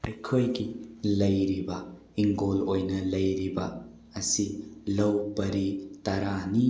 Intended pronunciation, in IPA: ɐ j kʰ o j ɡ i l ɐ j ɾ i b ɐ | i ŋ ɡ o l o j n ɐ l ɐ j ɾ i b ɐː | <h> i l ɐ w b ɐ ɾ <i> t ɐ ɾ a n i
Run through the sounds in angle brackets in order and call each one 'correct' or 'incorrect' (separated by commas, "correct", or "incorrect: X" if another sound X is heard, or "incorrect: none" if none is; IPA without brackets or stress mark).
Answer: incorrect: s, correct